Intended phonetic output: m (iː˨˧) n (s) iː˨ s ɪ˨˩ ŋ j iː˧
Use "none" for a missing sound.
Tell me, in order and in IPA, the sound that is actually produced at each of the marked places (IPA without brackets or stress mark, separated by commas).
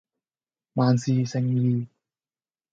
aː˨˧, s